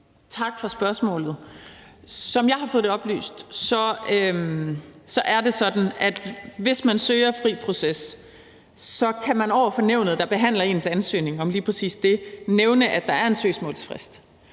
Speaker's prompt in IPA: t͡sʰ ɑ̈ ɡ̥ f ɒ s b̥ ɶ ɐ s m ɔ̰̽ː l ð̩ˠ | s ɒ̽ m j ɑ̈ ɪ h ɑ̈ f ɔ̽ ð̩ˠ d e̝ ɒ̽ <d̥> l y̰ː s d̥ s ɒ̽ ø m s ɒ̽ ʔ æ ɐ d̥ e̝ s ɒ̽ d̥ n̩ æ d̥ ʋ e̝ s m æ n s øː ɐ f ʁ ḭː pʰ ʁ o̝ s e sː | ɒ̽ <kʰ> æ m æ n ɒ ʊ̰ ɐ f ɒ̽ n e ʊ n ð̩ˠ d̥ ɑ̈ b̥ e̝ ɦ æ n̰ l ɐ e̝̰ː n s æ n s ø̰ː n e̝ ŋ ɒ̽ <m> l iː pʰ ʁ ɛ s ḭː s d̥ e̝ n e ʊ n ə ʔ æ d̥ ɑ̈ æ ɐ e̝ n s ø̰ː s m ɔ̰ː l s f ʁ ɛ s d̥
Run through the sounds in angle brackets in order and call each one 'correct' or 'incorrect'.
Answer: incorrect: b̥, correct, correct

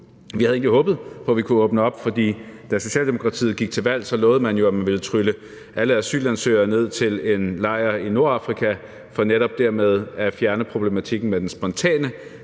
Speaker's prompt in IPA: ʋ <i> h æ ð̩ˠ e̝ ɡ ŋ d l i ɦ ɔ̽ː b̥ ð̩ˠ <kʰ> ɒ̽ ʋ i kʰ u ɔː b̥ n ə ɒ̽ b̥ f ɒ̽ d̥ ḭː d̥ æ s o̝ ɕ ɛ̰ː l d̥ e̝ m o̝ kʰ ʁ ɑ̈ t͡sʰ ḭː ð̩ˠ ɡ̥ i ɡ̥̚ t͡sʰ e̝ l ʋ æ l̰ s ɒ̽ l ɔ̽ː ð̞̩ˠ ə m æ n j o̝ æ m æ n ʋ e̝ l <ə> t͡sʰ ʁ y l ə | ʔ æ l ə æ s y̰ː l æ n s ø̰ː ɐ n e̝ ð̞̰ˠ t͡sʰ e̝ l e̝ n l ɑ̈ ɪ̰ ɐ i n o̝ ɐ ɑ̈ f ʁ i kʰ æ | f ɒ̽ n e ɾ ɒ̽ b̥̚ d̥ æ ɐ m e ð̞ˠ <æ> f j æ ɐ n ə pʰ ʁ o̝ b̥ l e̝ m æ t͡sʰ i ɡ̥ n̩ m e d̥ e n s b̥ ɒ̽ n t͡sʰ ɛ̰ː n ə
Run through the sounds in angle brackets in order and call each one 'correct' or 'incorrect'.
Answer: correct, incorrect: pʰ, correct, correct

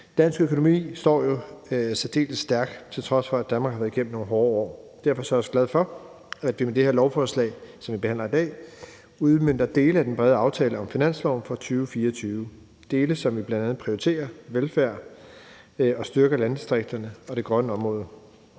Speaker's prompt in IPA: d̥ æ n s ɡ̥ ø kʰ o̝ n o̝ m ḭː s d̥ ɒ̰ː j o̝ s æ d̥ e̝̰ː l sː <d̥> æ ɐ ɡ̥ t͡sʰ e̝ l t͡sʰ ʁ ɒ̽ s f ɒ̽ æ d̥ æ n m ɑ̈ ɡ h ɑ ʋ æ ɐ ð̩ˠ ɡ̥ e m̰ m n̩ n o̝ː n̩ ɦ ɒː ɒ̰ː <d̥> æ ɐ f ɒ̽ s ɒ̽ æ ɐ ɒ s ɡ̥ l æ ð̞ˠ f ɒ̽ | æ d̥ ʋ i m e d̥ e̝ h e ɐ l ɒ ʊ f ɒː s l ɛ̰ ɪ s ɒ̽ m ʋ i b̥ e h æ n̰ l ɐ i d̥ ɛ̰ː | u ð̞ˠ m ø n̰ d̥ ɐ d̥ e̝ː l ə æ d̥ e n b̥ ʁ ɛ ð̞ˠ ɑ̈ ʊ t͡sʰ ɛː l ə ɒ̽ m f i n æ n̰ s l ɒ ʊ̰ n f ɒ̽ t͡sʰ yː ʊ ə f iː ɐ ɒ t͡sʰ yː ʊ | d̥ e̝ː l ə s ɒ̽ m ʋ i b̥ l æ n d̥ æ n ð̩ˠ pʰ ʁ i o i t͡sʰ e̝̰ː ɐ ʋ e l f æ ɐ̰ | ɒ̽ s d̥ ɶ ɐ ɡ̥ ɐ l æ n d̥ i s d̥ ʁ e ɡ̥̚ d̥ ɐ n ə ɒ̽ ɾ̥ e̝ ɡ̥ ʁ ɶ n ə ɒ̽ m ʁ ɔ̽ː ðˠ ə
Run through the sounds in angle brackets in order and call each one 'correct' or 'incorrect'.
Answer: correct, correct

